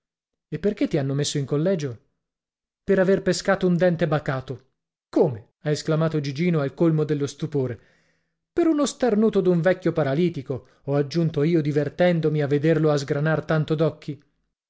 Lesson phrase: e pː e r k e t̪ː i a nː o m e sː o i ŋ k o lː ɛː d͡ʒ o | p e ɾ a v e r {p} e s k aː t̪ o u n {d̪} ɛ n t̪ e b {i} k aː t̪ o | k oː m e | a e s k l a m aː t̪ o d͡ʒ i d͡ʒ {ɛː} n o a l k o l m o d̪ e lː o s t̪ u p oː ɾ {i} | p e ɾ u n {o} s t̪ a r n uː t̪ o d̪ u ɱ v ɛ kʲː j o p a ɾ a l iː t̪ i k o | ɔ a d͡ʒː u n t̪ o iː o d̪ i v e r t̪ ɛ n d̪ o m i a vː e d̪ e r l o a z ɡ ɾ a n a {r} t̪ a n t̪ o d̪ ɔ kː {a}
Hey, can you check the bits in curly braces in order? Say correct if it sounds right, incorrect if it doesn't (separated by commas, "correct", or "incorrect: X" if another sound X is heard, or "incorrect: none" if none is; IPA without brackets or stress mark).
correct, correct, incorrect: a, incorrect: iː, incorrect: e, correct, correct, incorrect: i